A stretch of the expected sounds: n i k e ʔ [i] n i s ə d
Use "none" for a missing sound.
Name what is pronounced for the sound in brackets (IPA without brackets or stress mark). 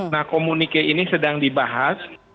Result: i